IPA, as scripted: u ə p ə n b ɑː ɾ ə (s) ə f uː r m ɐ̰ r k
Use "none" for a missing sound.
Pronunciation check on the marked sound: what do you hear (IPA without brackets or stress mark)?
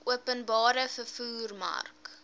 f